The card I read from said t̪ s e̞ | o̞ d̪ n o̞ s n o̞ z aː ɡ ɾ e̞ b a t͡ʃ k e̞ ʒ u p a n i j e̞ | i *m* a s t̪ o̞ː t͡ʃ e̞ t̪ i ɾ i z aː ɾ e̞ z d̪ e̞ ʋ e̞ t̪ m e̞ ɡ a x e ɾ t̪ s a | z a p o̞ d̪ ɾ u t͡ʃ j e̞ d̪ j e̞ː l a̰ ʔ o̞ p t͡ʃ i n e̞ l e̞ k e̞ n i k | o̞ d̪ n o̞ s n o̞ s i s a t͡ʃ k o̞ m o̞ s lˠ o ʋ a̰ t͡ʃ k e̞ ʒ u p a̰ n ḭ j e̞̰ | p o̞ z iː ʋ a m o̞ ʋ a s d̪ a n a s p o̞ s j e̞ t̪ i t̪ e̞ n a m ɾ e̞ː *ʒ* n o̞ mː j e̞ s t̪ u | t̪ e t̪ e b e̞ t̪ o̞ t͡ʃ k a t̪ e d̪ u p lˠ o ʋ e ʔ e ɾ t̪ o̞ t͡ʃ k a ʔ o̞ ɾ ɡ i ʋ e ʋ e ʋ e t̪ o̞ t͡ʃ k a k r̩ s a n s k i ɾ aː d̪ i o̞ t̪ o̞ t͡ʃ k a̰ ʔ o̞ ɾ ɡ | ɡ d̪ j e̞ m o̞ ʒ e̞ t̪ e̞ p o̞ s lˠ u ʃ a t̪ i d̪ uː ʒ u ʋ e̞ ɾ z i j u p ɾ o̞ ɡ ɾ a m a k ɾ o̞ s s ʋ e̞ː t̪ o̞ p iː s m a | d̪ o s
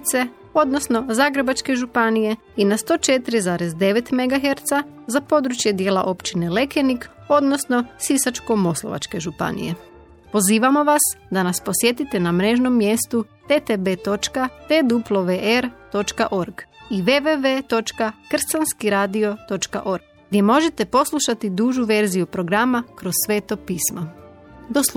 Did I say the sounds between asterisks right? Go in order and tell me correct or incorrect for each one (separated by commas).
incorrect, correct